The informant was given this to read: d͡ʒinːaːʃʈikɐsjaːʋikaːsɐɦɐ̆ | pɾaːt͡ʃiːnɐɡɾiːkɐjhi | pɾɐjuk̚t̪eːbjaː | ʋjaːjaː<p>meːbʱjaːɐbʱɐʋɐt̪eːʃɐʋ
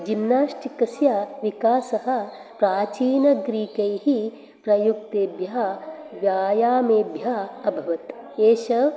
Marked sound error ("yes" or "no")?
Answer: yes